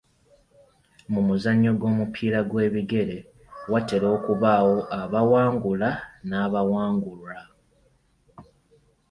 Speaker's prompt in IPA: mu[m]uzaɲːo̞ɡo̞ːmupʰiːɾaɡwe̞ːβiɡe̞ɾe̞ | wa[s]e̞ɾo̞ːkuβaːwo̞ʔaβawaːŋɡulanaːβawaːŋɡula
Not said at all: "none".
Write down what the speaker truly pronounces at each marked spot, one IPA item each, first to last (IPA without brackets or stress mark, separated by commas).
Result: m, t